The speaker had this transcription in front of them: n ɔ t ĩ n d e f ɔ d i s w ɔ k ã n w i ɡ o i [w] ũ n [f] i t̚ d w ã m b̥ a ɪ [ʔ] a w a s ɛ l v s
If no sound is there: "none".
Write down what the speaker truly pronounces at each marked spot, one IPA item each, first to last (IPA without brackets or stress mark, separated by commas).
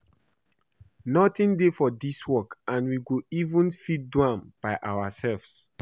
v, f, ʔ